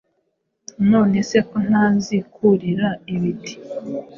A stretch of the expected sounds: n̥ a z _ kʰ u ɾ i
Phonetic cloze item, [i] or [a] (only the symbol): i